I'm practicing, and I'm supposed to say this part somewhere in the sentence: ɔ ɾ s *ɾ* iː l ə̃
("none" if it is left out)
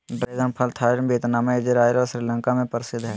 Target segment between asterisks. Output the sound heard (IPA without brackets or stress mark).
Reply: ɾ